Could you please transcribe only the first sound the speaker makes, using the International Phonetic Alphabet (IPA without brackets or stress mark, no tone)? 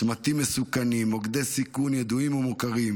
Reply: m